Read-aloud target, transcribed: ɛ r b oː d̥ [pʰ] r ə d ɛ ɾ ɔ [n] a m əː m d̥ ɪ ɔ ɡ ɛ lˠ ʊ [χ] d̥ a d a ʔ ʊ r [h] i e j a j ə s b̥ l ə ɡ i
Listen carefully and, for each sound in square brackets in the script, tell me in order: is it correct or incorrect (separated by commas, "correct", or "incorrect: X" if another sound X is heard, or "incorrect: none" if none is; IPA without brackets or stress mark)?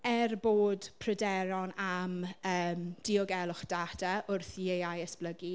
correct, correct, correct, incorrect: θ